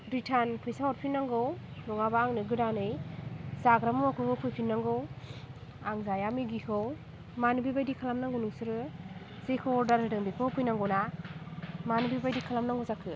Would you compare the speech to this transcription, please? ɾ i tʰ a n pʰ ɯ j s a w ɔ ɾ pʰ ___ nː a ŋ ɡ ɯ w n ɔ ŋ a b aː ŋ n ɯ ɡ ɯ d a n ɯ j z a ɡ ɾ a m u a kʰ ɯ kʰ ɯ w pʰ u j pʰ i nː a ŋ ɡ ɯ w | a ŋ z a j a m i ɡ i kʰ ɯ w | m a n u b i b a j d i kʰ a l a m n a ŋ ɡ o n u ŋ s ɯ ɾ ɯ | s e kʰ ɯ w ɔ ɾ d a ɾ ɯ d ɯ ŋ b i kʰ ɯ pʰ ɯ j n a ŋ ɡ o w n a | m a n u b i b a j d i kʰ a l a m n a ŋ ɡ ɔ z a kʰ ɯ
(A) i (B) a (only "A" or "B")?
A